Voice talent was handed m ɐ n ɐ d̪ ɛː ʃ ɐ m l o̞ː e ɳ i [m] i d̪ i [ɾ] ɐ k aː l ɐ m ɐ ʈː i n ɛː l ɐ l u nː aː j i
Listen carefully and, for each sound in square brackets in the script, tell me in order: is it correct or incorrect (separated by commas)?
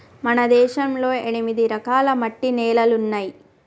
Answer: correct, correct